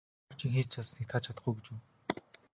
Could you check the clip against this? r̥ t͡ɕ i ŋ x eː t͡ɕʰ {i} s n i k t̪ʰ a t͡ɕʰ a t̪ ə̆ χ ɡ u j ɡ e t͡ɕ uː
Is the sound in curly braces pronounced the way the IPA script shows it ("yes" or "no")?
no